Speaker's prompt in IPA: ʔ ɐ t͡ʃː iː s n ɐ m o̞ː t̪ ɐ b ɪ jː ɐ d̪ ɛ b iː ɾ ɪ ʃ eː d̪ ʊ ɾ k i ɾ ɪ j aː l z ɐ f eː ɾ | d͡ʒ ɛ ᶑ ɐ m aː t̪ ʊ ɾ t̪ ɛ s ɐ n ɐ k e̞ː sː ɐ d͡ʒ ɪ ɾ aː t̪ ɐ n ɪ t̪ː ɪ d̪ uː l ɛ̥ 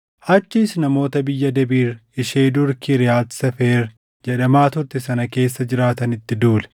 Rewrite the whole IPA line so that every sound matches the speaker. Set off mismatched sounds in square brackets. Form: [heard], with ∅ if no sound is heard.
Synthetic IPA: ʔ ɐ t͡ʃː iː s n ɐ m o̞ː t̪ ɐ b ɪ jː ɐ d̪ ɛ b iː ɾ ɪ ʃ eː d̪ ʊ ɾ k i ɾ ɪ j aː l [s] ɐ f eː ɾ | d͡ʒ ɛ ᶑ ɐ m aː t̪ ʊ ɾ t̪ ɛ s ɐ n ɐ k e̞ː sː ɐ d͡ʒ ɪ ɾ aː t̪ ɐ n ɪ t̪ː ɪ d̪ uː l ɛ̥